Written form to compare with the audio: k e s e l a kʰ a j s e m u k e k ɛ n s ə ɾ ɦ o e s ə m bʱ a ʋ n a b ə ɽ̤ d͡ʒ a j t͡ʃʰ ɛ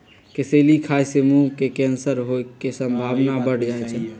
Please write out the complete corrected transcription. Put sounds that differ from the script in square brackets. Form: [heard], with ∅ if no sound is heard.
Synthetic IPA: k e s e l [i] kʰ a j s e m u k e k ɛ n s ə ɾ ɦ o e s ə m bʱ a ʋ n a b ə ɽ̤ d͡ʒ a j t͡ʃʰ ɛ